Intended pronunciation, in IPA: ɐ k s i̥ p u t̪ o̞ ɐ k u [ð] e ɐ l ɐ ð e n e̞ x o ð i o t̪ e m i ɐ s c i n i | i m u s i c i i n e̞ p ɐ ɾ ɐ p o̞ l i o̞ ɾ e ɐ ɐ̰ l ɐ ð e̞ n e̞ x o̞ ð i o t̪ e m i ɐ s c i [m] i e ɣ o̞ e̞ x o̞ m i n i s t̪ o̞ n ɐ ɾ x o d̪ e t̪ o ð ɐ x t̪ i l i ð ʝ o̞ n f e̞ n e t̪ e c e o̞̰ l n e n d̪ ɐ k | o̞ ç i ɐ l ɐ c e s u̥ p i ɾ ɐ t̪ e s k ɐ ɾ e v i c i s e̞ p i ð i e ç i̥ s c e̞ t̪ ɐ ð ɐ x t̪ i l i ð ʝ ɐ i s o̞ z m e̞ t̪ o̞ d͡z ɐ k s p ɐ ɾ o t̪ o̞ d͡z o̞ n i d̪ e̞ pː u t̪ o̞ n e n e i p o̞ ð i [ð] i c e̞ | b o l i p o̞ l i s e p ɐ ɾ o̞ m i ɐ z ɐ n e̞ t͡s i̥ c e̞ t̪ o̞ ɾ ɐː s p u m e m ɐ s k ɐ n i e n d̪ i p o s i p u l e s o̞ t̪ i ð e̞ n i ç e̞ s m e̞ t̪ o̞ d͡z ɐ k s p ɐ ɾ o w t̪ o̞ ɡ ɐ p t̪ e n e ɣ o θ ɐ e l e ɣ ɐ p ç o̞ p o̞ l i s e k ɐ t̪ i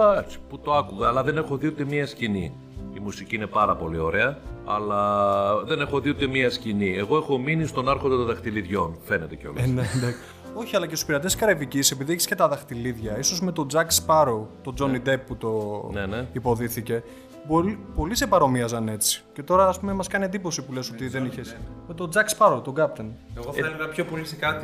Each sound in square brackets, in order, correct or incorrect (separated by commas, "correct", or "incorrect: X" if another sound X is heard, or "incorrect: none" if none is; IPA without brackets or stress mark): incorrect: ɣ, incorrect: n, incorrect: θ